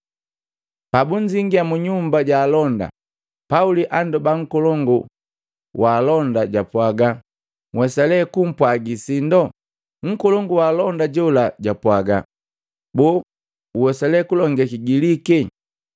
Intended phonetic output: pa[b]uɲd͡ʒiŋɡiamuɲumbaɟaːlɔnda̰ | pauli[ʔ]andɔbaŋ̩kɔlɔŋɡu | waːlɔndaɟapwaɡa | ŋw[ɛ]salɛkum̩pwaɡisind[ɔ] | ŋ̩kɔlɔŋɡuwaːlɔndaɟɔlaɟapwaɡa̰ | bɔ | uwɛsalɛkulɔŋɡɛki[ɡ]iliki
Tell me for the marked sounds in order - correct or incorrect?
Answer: correct, correct, correct, correct, correct

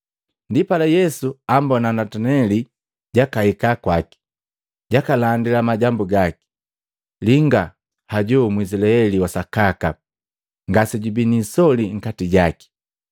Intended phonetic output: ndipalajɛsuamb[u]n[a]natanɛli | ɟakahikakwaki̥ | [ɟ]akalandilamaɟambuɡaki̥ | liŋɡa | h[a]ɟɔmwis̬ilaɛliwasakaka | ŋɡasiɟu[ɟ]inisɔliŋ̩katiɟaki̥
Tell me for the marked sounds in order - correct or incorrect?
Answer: incorrect, correct, correct, correct, incorrect

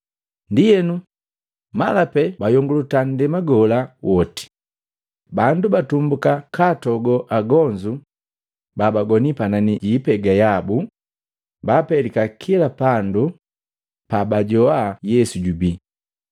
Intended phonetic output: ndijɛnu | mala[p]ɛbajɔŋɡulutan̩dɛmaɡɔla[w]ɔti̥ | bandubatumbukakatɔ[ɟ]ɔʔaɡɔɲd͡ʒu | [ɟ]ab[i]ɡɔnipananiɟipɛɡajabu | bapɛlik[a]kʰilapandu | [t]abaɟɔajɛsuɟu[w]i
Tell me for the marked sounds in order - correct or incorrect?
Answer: correct, correct, incorrect, incorrect, incorrect, correct, incorrect, incorrect

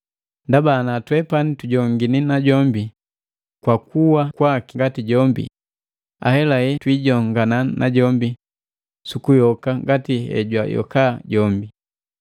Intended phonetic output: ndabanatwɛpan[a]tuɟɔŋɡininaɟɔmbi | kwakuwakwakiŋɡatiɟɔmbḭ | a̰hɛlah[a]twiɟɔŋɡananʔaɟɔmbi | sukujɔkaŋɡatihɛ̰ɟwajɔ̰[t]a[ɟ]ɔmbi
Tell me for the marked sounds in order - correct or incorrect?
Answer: incorrect, incorrect, incorrect, correct

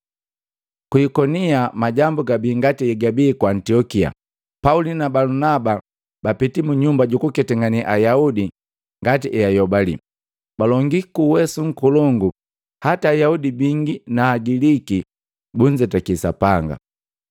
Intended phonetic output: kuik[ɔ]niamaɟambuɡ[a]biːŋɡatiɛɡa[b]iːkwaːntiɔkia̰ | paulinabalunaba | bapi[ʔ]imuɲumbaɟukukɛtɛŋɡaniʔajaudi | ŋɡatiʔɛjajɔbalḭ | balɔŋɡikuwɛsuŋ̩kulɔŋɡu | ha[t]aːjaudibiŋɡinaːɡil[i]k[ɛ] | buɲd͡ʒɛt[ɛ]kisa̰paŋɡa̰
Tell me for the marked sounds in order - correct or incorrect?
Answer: correct, correct, correct, incorrect, correct, correct, incorrect, incorrect

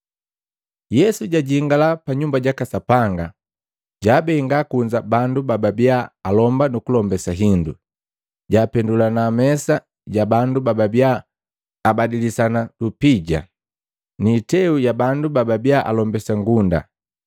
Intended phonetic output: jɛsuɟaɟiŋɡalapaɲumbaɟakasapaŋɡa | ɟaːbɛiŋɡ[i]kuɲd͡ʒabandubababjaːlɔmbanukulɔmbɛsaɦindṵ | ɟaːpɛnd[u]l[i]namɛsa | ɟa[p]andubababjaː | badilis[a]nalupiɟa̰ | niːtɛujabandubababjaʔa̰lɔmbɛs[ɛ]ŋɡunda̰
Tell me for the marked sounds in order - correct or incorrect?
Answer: incorrect, correct, incorrect, incorrect, correct, incorrect

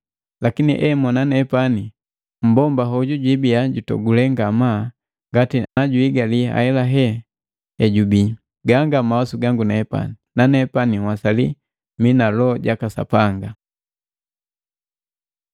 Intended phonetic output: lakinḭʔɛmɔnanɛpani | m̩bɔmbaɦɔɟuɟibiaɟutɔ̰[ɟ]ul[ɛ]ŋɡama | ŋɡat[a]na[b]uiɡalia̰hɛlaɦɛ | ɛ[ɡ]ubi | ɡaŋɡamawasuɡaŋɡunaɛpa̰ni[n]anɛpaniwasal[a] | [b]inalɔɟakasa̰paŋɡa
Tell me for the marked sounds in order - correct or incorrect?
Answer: incorrect, correct, incorrect, incorrect, incorrect, correct, incorrect, incorrect

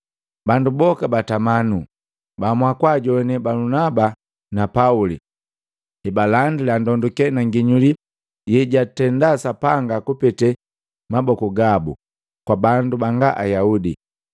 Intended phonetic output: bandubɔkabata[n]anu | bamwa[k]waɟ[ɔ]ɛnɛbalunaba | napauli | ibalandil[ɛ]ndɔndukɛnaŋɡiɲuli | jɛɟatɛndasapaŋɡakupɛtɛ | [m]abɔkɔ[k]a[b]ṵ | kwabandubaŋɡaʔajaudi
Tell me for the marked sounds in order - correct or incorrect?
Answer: incorrect, correct, correct, incorrect, correct, incorrect, correct

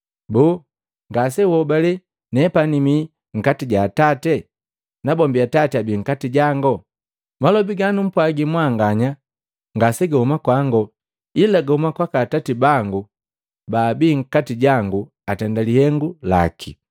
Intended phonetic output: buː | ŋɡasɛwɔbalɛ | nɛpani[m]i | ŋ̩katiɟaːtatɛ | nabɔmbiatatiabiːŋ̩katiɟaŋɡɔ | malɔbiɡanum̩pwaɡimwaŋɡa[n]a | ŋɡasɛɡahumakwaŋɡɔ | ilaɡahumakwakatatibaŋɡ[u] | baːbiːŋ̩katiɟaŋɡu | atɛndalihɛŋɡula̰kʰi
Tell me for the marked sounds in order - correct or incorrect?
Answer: correct, incorrect, correct

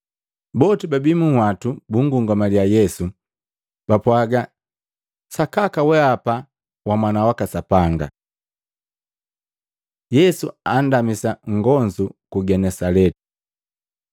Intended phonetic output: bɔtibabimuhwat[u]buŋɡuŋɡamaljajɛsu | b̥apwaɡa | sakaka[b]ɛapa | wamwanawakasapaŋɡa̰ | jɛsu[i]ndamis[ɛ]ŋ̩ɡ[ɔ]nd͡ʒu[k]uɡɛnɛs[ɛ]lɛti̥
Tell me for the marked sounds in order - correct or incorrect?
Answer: correct, incorrect, incorrect, incorrect, correct, correct, incorrect

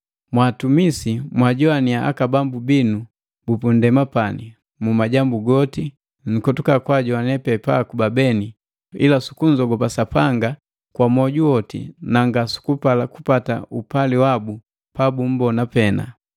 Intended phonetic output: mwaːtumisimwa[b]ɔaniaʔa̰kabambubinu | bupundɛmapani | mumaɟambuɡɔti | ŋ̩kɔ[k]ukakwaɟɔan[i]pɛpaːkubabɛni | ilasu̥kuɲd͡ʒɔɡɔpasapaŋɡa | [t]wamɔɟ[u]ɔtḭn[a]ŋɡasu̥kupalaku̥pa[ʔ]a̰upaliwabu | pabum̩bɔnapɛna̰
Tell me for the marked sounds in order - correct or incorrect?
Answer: incorrect, incorrect, incorrect, incorrect, correct, correct, incorrect

